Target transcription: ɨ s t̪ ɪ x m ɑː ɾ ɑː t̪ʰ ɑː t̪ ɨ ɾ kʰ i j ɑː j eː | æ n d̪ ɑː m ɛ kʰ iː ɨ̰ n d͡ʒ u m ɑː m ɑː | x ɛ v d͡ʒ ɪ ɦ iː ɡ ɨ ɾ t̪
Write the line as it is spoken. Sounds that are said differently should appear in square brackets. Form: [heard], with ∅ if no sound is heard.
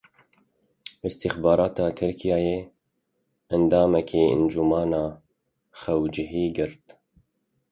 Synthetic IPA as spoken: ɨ s t̪ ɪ x [b] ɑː ɾ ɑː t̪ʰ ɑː [t̪ʰ] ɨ ɾ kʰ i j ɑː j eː | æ n d̪ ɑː m ɛ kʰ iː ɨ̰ n d͡ʒ u m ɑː [n] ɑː | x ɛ [w] d͡ʒ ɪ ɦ iː ɡ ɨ ɾ t̪